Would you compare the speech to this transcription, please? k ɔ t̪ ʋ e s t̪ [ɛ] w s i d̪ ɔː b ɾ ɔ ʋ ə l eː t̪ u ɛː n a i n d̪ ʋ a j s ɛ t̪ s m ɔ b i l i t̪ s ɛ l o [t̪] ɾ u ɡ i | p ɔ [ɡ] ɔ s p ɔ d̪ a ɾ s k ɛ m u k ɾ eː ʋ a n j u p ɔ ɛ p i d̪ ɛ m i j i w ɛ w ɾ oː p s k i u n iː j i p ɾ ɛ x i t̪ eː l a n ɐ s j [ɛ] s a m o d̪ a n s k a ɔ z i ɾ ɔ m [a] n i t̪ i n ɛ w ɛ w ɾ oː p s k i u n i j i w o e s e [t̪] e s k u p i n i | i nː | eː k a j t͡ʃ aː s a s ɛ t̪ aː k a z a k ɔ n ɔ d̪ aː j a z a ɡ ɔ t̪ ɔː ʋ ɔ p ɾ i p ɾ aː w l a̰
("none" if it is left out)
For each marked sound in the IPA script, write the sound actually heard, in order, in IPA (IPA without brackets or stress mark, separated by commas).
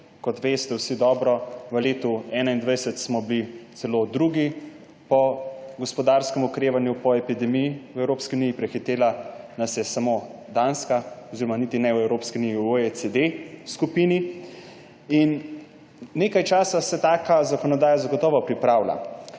ɛ, d̪, ɡ, ɛ, a, d̪